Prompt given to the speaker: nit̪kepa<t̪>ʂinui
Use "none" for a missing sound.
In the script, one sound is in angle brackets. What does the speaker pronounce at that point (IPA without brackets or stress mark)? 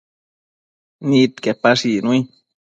none